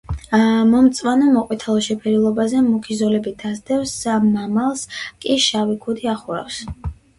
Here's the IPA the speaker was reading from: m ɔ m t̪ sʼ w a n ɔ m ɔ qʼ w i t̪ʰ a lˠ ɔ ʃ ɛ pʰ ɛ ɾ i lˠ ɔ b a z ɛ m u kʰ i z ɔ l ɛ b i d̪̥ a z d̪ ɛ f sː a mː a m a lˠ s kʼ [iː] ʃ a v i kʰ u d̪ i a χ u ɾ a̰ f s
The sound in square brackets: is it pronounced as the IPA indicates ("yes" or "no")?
no